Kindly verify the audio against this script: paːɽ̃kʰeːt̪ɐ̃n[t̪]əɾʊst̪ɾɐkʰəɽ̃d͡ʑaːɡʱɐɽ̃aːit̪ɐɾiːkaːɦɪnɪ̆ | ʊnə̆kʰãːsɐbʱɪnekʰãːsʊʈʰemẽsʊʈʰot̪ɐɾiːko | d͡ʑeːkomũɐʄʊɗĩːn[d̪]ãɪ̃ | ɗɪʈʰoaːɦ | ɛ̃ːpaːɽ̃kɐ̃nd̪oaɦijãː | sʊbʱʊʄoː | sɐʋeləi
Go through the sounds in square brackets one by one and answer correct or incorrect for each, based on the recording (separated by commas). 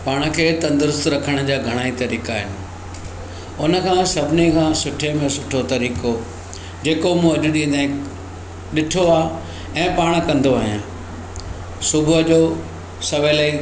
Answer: incorrect, correct